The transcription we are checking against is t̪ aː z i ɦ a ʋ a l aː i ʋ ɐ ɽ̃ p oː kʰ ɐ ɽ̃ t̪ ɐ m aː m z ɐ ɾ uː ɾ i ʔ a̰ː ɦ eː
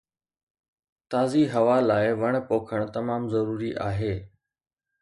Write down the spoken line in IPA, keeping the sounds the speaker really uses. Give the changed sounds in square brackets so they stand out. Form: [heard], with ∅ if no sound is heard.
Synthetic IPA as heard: t̪ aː z i ɦ [ɐ] ʋ a l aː [ɪ] ʋ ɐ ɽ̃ p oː kʰ [ə] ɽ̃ t̪ ɐ m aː m z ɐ ɾ uː ɾ i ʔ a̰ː ɦ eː